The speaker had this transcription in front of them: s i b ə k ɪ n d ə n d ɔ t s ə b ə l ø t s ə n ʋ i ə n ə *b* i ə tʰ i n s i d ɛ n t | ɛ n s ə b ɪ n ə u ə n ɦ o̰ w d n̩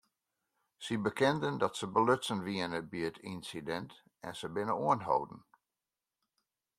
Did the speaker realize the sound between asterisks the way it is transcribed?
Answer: yes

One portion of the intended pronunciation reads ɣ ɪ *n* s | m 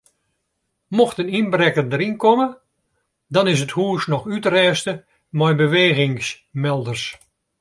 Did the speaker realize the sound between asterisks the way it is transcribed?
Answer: no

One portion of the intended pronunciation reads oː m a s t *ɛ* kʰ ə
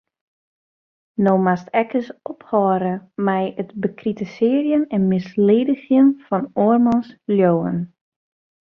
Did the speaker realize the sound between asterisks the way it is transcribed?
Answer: yes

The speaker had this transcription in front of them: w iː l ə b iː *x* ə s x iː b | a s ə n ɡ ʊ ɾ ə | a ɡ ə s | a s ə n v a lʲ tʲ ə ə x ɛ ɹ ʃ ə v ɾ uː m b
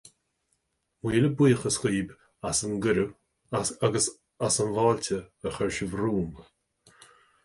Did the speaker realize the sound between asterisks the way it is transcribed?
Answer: yes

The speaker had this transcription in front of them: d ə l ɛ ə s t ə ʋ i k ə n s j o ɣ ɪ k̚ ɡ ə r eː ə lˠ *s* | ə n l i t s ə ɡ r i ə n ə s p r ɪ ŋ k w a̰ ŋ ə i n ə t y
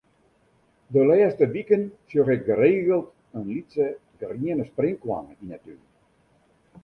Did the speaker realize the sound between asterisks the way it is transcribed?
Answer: no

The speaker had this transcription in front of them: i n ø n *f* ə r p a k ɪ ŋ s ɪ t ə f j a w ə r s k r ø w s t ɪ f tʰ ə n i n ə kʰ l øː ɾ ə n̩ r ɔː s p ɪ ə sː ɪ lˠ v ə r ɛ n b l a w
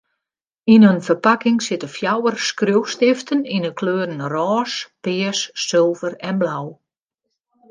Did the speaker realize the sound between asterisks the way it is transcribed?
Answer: yes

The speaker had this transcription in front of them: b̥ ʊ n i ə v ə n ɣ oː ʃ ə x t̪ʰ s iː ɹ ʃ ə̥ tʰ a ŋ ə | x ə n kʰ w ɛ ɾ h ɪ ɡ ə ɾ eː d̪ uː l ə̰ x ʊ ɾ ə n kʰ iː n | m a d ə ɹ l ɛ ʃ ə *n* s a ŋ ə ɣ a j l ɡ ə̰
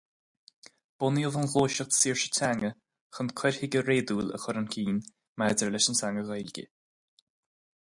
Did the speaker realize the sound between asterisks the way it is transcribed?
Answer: yes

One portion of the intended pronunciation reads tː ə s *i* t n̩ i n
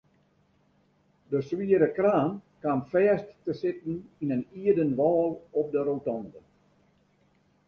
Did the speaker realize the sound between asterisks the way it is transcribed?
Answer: no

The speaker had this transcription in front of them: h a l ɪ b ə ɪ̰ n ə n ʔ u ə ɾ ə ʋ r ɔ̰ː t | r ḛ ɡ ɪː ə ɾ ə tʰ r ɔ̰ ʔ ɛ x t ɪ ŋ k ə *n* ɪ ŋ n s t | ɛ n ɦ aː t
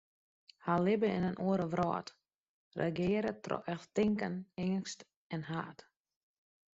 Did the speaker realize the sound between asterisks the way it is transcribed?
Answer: yes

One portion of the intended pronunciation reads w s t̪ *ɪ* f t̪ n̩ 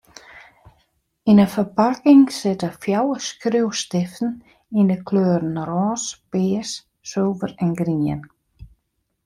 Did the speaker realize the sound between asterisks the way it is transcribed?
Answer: yes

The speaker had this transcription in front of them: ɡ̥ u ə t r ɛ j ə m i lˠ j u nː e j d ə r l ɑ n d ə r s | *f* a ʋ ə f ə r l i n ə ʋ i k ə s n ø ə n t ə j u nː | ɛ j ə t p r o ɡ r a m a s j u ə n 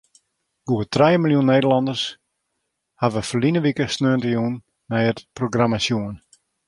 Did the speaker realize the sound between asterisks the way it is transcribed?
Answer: no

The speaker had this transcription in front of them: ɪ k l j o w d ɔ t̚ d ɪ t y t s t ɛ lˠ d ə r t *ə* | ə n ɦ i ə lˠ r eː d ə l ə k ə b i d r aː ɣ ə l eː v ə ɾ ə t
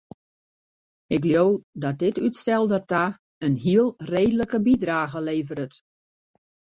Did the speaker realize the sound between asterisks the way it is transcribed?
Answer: no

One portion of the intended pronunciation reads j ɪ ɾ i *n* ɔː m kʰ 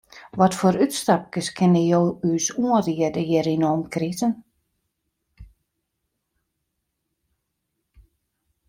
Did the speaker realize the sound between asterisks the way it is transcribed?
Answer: yes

